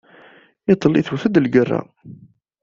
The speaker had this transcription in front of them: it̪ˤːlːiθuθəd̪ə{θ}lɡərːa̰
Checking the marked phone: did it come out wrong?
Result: yes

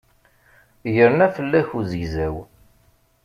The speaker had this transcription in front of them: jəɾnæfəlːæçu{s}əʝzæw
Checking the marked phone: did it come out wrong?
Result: yes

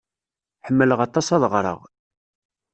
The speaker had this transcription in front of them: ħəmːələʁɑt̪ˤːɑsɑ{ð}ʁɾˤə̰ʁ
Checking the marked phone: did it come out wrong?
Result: no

